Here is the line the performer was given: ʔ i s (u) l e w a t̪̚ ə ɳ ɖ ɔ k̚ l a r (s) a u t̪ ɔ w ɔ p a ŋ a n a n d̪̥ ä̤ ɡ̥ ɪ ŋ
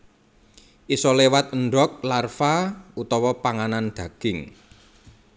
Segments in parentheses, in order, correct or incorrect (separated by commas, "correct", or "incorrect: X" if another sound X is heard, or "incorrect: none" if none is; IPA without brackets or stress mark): incorrect: ɔ, incorrect: f